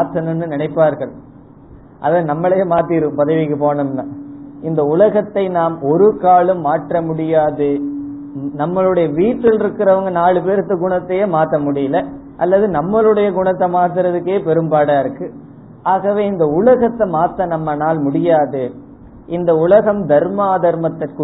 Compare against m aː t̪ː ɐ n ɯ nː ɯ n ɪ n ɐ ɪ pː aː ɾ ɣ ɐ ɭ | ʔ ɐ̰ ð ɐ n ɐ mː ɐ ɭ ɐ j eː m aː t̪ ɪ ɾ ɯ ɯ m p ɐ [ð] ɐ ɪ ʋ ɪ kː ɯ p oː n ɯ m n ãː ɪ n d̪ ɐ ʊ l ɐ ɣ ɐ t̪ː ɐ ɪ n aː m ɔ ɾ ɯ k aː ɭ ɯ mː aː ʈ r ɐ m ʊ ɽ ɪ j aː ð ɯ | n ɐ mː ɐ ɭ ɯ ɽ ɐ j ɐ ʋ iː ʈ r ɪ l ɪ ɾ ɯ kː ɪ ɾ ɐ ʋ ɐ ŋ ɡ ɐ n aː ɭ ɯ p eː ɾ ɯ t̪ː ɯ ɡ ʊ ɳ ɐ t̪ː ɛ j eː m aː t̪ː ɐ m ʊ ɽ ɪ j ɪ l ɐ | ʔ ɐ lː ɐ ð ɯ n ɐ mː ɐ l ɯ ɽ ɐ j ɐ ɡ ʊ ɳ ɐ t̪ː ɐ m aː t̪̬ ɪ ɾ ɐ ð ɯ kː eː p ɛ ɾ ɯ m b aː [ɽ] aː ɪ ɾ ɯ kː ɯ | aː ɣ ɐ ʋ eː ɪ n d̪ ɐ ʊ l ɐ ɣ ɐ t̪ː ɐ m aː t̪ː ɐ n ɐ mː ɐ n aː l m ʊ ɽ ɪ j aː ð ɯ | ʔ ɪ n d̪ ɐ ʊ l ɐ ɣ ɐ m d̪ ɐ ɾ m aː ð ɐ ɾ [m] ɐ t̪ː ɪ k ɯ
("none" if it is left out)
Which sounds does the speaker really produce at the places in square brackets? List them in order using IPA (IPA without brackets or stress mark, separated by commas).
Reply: ð, ɽ, m